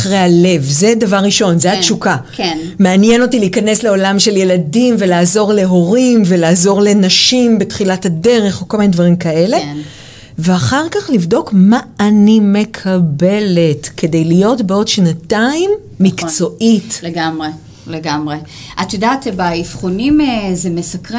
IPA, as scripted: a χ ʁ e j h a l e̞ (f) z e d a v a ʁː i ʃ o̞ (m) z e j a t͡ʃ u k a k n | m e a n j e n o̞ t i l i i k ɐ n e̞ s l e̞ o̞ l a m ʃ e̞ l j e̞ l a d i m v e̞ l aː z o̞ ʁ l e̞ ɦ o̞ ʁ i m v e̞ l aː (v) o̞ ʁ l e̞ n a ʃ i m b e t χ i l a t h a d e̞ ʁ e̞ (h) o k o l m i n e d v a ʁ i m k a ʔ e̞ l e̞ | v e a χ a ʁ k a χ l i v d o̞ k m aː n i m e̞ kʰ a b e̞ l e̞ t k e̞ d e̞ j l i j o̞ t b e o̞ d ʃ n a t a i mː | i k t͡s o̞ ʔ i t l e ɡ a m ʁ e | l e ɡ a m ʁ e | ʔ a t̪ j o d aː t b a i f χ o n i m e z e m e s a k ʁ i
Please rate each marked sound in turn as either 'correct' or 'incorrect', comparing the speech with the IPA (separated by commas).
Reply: incorrect, incorrect, incorrect, incorrect